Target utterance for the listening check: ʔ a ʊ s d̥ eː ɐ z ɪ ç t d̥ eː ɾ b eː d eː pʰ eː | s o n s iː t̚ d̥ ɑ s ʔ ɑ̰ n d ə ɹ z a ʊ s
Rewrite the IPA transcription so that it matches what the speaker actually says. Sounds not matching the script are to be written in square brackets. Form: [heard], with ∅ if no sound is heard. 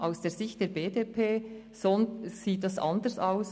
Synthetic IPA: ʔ a ʊ s d̥ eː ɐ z ɪ ç t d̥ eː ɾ b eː d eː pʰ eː | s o n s iː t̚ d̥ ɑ s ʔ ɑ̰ n d ə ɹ [s] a ʊ s